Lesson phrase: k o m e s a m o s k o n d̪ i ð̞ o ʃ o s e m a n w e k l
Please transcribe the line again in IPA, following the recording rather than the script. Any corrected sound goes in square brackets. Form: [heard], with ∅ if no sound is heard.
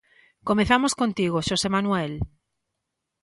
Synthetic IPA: k o m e [θ] a m o s k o n [t̪] i [ɣ̞] o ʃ o s e m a n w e [∅] l